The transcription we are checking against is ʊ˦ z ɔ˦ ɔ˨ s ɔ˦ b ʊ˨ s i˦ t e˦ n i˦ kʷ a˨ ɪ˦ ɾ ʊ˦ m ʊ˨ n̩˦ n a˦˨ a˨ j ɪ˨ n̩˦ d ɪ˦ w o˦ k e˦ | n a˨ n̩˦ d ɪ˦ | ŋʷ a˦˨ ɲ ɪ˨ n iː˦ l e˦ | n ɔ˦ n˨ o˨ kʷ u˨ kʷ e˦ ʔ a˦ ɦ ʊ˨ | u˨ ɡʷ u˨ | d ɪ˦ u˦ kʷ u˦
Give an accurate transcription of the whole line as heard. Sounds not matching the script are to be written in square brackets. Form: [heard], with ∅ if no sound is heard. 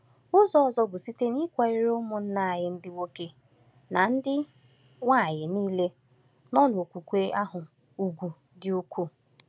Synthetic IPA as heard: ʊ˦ z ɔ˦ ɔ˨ [z] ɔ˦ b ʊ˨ s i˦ t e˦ n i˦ kʷ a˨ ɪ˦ ɾ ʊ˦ m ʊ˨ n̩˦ n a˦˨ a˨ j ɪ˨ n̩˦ d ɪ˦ w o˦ k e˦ | n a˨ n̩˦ d ɪ˦ | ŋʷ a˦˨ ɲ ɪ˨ n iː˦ l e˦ | n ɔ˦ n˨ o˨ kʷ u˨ kʷ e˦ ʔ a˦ ɦ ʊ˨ | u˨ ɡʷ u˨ | d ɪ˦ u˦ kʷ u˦